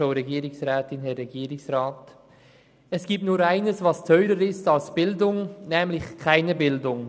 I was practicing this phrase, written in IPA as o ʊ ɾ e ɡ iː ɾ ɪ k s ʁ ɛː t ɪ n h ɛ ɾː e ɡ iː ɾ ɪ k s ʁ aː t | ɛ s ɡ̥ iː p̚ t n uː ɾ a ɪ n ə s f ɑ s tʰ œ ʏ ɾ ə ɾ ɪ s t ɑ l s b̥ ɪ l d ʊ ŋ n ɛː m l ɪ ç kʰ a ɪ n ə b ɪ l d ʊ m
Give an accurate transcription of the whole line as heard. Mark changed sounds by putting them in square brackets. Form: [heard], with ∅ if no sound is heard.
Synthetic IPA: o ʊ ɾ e ɡ iː ɾ ɪ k s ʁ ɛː t ɪ n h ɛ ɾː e ɡ iː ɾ ɪ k s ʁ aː t | ɛ s ɡ̥ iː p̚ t n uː ɾ a ɪ n ə s [v] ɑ s tʰ œ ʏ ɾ ə ɾ ɪ s t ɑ l s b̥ ɪ l d ʊ ŋ n ɛː m l ɪ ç kʰ a ɪ n ə b ɪ l d ʊ [ŋ]